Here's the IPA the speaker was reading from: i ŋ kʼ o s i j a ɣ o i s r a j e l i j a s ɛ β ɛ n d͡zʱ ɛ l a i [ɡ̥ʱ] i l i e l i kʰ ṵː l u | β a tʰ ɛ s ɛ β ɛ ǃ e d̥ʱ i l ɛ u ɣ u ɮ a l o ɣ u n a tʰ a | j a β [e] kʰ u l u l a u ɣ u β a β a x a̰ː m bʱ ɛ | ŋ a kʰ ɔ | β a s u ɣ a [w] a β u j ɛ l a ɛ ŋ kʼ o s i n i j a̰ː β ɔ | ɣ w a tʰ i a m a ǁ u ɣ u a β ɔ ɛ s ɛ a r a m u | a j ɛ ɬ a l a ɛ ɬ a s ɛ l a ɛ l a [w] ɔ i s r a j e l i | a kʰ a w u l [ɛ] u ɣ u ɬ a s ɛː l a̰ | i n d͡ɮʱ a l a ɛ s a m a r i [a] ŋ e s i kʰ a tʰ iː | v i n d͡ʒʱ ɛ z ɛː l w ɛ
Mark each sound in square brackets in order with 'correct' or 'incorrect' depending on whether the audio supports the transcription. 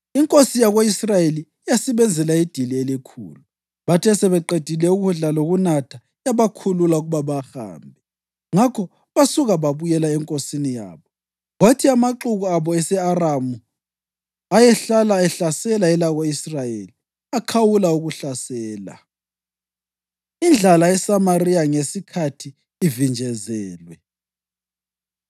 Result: incorrect: d̥ʱ, incorrect: a, incorrect: β, incorrect: ɣ, incorrect: a, correct

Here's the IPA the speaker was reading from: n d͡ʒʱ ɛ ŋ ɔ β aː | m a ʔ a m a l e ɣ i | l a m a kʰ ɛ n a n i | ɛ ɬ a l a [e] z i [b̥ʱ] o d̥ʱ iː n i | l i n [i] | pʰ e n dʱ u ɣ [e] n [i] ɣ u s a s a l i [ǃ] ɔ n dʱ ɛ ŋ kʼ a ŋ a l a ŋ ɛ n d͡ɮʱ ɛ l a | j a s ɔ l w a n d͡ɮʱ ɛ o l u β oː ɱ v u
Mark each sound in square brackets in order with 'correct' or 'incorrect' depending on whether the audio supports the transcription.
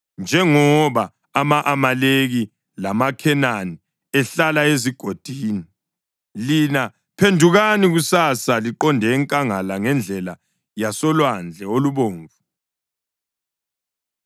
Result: correct, incorrect: ɡ̥ʱ, incorrect: a, incorrect: a, correct, correct

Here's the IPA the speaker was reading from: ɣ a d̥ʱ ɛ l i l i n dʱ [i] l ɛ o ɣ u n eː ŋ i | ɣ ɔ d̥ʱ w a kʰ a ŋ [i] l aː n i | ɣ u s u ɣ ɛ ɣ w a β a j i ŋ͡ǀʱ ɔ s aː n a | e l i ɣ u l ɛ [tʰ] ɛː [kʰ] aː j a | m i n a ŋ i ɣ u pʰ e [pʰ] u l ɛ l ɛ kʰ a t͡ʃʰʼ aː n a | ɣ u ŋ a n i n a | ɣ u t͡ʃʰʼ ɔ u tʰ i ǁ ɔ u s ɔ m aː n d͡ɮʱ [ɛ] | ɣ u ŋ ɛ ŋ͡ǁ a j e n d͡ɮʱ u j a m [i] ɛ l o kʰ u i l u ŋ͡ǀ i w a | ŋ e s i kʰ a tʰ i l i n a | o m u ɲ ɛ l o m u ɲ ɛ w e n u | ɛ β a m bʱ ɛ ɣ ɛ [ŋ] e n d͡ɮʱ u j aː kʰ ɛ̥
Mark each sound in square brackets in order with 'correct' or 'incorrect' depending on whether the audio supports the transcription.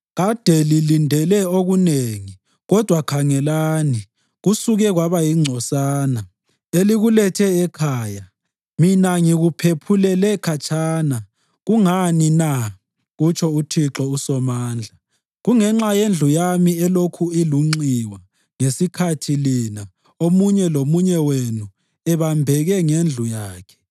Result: incorrect: ɛ, incorrect: ɛ, correct, correct, correct, incorrect: a, correct, correct

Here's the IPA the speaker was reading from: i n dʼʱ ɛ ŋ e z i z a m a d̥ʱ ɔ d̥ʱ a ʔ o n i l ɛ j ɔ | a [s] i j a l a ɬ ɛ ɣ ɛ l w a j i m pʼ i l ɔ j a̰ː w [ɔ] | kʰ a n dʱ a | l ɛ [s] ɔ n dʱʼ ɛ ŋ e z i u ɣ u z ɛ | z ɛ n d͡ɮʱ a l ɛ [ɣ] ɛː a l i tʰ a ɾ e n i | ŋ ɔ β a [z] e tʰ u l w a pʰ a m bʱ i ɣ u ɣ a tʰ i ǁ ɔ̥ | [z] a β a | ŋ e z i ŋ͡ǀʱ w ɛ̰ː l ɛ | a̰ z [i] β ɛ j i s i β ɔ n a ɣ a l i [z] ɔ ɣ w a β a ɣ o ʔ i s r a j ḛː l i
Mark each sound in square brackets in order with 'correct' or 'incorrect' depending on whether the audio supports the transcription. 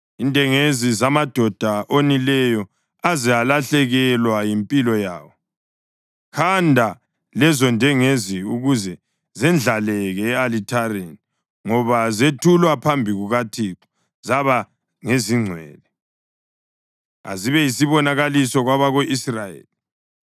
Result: incorrect: z, correct, incorrect: z, correct, correct, correct, correct, incorrect: s

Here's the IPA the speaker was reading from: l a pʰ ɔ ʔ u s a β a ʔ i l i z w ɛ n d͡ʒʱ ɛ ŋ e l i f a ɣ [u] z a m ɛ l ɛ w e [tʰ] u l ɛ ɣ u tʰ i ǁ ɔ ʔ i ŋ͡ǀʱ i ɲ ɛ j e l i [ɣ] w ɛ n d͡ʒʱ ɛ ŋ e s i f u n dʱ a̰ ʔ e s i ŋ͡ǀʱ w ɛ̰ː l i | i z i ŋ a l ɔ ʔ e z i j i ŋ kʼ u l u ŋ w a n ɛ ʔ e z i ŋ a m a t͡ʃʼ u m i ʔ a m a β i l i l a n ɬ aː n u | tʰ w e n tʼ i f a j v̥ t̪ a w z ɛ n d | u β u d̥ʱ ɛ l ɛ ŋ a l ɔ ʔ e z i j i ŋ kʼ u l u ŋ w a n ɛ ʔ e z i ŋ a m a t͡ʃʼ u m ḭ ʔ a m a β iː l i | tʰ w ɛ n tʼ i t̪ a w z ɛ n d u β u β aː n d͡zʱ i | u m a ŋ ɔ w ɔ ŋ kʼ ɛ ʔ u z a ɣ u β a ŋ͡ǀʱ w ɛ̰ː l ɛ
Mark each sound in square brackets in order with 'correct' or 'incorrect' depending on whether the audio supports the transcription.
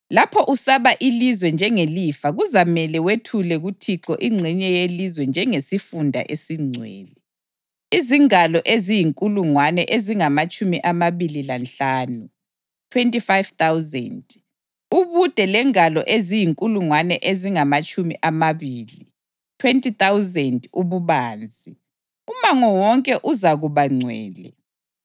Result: correct, correct, incorrect: z

